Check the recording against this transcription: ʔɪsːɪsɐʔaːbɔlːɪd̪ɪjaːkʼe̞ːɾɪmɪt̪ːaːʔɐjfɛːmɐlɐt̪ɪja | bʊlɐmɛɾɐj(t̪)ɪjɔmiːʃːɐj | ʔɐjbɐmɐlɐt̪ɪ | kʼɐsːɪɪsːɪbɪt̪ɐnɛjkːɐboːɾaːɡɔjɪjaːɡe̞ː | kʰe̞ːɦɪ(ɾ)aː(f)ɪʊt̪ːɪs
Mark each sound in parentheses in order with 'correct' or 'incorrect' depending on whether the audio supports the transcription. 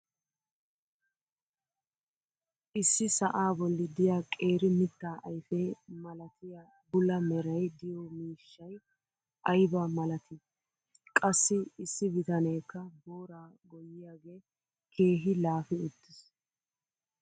incorrect, incorrect, correct

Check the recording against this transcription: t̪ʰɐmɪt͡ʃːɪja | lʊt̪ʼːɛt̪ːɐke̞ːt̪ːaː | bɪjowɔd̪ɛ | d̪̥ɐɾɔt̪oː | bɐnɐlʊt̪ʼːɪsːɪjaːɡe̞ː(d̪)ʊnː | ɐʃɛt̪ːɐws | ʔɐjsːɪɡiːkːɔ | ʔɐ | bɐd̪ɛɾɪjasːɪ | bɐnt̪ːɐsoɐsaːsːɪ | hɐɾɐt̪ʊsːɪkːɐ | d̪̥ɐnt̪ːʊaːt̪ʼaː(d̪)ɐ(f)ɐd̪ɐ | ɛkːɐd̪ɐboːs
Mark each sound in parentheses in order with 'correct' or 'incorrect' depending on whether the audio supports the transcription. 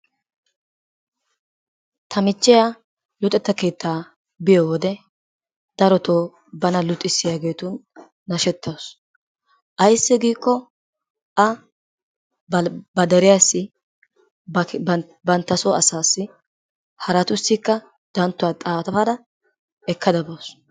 incorrect, incorrect, correct

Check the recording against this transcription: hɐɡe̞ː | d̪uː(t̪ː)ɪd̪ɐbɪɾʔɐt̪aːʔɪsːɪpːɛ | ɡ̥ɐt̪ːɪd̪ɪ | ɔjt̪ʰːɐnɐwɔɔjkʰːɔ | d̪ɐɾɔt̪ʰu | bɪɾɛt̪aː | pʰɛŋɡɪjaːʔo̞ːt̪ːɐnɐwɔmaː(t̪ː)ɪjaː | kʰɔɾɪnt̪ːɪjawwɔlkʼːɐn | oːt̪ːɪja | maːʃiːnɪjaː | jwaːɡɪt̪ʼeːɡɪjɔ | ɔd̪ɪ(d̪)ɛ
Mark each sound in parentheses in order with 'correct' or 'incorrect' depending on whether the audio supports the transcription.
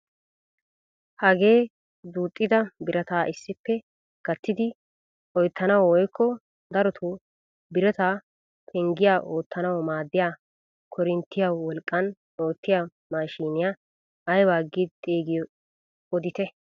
incorrect, incorrect, incorrect

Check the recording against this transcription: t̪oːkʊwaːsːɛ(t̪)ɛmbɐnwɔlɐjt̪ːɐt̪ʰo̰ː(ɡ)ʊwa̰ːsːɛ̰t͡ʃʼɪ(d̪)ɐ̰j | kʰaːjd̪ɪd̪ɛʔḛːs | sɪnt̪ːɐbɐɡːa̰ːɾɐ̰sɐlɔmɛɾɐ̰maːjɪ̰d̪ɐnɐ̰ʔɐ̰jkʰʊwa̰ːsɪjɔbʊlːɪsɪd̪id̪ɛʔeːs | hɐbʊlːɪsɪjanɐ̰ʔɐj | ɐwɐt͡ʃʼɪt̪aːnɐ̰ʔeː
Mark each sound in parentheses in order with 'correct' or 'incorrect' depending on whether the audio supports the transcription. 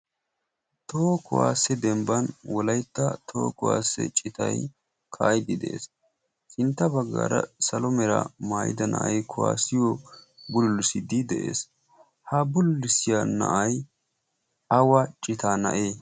incorrect, incorrect, incorrect

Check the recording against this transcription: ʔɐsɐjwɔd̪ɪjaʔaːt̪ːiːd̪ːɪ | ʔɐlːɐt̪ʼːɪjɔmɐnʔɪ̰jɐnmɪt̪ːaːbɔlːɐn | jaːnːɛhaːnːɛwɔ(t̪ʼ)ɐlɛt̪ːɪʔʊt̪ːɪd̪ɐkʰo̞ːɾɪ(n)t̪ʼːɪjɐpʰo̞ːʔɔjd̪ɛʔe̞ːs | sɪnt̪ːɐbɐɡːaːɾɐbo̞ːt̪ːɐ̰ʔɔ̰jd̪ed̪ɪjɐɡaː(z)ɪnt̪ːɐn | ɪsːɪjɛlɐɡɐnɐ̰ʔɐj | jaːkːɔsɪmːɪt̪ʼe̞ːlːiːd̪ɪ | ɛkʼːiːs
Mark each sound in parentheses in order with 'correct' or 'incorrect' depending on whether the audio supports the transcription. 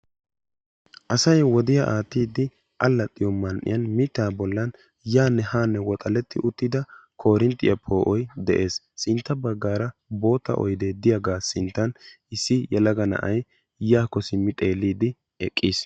correct, correct, incorrect

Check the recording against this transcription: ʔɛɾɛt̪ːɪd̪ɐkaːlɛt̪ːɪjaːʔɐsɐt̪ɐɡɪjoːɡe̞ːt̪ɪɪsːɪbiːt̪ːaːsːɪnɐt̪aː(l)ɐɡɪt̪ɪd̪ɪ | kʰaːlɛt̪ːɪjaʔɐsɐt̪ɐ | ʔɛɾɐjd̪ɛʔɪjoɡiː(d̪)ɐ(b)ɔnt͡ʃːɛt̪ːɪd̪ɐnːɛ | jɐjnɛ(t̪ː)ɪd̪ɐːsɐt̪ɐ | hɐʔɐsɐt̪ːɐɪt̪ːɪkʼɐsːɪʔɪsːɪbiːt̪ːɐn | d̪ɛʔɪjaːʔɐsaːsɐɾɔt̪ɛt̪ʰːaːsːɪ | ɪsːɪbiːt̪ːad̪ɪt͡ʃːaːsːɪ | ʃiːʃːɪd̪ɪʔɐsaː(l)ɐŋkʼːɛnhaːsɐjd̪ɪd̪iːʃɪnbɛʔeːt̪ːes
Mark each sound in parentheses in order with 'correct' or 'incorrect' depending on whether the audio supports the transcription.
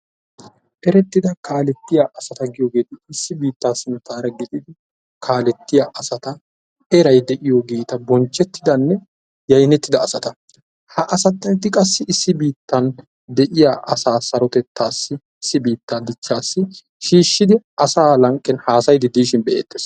incorrect, incorrect, correct, correct, correct

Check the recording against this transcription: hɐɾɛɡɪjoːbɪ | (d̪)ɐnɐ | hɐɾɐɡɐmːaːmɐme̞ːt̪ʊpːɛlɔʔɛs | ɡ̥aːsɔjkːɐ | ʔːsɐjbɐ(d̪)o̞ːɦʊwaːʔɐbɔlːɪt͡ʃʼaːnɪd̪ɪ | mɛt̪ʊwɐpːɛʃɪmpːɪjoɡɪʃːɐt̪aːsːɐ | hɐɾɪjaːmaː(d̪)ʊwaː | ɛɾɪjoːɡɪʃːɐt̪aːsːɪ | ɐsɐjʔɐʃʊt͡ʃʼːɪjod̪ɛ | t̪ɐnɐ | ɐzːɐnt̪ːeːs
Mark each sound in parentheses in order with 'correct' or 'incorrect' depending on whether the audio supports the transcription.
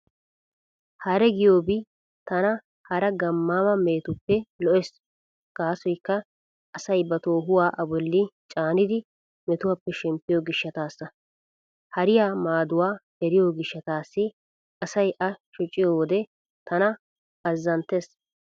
incorrect, incorrect, correct

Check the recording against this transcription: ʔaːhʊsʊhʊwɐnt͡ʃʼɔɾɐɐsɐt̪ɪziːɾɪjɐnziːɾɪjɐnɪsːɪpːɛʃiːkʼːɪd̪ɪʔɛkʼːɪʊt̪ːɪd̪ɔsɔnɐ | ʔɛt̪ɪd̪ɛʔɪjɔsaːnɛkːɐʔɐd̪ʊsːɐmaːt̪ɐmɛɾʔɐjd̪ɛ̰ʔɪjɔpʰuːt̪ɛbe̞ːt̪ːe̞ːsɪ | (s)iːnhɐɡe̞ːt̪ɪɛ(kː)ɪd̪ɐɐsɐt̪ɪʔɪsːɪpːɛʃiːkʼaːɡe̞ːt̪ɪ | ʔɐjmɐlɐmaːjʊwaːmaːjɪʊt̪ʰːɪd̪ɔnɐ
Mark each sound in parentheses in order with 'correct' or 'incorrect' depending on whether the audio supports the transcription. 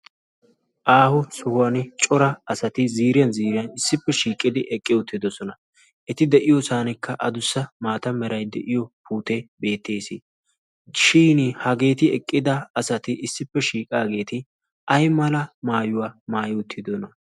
incorrect, incorrect

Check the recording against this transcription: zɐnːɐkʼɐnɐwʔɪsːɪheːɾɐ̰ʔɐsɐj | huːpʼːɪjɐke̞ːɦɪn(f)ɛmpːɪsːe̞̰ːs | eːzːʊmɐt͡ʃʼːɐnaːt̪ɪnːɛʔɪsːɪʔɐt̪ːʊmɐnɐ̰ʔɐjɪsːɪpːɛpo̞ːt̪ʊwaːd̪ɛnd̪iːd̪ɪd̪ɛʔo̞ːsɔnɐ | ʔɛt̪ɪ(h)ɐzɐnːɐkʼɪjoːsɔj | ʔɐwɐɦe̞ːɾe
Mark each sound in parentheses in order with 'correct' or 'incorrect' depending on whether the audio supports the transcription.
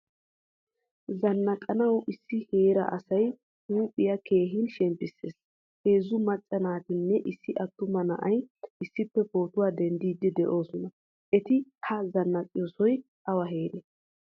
incorrect, correct

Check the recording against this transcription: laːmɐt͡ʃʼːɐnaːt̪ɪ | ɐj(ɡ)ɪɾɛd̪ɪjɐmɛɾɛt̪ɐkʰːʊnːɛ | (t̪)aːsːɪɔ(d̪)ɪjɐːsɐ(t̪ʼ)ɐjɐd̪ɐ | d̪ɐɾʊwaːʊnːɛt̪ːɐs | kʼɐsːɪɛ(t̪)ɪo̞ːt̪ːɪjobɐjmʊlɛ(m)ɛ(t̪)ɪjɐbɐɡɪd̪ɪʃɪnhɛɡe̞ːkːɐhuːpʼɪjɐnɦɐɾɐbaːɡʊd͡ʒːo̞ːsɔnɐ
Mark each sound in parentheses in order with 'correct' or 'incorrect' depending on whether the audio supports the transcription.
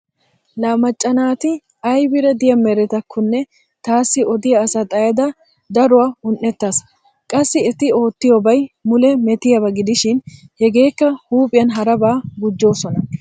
incorrect, correct, correct, correct, correct, correct, correct

